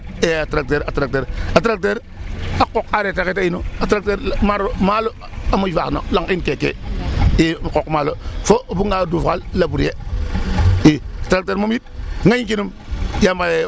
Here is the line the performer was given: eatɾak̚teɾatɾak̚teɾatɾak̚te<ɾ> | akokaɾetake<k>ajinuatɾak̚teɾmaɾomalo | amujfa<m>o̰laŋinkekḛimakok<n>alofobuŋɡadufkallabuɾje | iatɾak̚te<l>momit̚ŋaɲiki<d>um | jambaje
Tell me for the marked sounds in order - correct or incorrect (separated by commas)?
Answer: correct, incorrect, incorrect, incorrect, incorrect, incorrect